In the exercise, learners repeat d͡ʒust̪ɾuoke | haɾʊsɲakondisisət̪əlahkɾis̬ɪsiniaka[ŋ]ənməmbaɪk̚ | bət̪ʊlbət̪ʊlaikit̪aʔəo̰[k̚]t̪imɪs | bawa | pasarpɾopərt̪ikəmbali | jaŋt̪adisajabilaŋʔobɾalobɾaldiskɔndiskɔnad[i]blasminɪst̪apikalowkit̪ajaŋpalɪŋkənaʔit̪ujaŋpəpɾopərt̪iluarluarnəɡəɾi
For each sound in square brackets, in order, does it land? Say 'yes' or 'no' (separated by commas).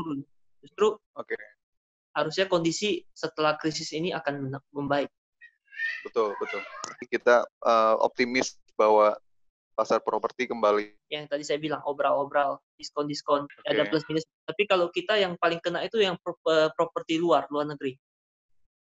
no, no, no